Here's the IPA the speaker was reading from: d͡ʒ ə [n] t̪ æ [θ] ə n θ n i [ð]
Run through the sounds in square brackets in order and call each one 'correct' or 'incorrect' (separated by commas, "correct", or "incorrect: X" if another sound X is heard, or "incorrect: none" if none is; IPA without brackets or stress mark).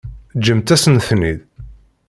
incorrect: m, incorrect: s, correct